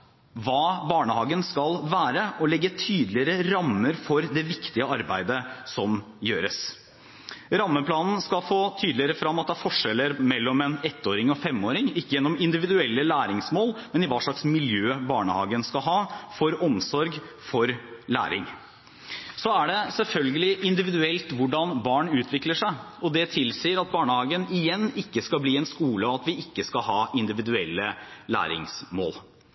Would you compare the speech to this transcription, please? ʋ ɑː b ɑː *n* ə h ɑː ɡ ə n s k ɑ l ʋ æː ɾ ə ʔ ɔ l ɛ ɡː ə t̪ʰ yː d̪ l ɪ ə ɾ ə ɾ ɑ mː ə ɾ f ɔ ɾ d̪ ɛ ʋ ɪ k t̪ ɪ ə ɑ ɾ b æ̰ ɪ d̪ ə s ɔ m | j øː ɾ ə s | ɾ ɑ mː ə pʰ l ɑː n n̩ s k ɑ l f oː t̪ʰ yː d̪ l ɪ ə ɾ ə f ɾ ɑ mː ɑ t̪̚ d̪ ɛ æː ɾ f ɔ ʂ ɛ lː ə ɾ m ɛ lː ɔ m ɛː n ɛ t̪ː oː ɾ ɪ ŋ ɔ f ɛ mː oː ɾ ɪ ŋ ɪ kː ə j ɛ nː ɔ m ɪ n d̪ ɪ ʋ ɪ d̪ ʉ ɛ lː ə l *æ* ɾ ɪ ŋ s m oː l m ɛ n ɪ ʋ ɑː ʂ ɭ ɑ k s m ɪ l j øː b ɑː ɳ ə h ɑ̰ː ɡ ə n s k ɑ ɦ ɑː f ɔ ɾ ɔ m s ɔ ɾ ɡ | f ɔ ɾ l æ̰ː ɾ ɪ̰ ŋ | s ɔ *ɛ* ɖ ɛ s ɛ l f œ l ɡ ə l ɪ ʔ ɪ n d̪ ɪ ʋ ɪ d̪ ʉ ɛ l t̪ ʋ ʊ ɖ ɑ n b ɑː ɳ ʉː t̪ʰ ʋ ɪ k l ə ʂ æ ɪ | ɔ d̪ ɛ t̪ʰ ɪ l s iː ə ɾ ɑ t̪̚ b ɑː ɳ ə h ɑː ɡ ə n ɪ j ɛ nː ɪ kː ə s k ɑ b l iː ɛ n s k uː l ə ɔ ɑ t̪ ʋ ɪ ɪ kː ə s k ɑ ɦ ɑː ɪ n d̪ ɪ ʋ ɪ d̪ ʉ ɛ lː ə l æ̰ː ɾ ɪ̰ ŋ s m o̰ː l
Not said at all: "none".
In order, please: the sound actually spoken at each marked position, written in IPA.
ɳ, æː, æ

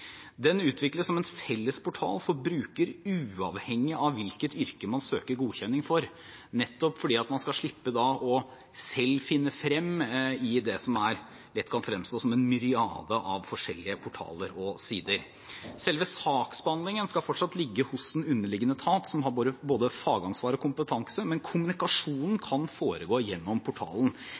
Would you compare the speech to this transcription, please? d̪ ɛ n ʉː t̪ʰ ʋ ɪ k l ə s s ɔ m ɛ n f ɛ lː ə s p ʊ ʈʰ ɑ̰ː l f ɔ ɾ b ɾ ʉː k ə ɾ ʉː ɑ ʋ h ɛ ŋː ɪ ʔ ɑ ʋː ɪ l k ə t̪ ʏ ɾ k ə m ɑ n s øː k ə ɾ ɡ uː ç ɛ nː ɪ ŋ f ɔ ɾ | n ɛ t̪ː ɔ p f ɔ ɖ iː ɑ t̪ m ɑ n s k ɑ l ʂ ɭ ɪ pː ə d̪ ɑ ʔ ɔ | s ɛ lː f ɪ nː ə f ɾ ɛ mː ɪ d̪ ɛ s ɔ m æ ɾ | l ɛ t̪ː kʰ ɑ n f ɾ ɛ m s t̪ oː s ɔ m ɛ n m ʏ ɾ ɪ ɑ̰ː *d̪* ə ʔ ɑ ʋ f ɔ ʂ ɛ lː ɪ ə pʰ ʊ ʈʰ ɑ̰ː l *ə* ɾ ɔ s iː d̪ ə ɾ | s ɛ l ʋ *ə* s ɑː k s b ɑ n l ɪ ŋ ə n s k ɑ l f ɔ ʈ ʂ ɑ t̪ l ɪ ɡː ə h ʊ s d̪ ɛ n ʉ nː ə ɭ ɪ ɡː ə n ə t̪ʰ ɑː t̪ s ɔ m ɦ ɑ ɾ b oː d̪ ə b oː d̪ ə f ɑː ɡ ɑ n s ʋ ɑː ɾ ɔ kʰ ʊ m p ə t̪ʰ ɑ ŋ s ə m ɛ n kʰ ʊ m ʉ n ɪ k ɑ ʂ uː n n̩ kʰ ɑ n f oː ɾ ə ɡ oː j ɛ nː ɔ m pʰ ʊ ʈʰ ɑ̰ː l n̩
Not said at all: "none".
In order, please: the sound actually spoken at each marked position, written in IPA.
d̪, ə, ə

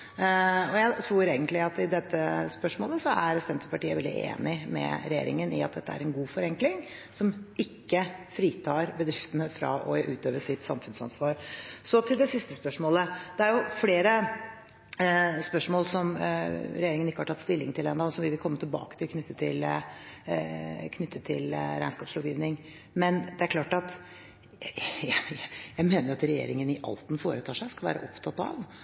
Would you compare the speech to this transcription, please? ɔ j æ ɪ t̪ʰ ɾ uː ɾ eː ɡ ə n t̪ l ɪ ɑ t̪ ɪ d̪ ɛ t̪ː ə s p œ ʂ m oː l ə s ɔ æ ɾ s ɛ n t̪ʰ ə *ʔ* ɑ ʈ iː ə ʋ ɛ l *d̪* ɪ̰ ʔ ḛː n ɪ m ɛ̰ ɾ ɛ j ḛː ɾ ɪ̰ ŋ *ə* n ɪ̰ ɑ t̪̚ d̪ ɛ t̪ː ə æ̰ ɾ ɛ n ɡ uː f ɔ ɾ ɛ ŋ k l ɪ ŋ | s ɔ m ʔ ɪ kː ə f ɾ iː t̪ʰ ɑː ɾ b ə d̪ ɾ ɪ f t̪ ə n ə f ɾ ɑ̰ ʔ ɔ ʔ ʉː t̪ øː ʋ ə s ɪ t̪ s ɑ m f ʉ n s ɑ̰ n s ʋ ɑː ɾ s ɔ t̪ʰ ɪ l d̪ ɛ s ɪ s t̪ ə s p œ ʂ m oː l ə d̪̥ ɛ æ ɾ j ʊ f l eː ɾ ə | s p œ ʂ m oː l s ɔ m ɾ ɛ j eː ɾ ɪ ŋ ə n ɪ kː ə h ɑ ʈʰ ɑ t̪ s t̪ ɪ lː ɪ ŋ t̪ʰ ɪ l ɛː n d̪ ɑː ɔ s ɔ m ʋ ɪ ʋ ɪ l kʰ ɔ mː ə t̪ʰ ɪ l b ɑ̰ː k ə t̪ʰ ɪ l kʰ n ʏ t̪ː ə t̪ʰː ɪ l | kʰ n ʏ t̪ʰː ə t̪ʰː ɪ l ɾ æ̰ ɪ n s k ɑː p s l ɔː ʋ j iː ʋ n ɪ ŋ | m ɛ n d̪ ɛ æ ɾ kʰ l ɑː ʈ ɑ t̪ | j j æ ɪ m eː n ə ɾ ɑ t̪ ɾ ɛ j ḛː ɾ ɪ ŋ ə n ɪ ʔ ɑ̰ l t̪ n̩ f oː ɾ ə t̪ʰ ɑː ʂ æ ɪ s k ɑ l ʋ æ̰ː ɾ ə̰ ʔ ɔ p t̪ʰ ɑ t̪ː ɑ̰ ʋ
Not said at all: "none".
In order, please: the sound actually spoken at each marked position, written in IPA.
p, d̪, ə

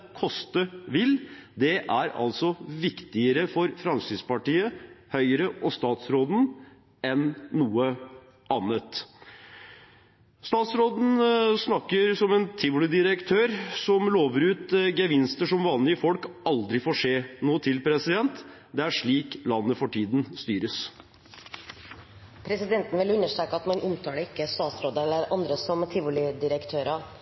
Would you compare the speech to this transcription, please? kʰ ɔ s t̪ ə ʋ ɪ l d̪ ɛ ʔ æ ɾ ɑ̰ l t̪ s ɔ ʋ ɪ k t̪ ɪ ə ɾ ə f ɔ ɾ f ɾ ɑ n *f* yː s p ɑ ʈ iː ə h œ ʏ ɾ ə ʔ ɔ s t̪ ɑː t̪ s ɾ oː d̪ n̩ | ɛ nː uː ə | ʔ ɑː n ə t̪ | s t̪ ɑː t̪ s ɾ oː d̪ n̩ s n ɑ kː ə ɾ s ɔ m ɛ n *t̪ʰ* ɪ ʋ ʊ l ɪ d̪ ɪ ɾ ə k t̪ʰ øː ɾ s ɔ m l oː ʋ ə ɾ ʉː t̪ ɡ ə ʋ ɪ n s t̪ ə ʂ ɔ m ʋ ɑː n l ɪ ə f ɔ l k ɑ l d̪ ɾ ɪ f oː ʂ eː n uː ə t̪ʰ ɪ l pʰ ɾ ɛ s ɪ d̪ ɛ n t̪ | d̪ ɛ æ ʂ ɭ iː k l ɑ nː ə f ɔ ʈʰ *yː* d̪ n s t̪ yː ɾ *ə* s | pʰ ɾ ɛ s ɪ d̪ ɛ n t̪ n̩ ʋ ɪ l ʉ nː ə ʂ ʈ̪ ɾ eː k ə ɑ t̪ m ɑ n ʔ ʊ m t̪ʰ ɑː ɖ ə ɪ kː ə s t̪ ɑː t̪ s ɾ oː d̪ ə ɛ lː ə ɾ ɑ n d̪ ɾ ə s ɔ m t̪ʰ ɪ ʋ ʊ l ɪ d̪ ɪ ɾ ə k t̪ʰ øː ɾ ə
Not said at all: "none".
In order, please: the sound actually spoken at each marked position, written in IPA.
s, t̪ʰ, iː, ə

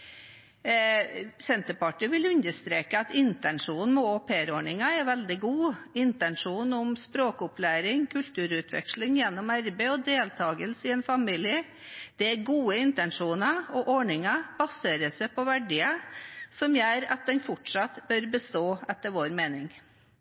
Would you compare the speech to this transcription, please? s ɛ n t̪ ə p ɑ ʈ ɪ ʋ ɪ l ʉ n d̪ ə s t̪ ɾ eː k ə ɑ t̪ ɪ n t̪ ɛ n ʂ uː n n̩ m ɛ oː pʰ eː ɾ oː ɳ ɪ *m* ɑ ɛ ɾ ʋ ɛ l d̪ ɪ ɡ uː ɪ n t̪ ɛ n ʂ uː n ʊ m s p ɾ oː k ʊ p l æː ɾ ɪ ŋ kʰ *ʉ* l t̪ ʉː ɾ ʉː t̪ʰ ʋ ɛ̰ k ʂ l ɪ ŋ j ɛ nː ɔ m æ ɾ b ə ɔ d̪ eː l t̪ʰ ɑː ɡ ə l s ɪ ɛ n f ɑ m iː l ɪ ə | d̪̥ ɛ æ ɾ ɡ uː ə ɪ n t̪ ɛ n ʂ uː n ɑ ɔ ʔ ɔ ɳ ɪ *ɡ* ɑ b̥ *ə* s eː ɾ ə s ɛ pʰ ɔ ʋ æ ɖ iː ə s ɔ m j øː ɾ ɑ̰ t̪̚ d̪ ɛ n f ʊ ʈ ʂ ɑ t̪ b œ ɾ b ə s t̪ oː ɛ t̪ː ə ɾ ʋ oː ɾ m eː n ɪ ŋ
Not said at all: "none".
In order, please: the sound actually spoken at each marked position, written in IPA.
ŋ, ʉ, ŋ, ɑ

